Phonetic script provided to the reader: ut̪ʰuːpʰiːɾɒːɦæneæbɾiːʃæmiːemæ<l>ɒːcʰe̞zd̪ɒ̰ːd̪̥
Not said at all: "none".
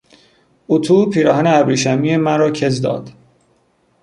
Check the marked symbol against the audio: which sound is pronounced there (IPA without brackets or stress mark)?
ɾ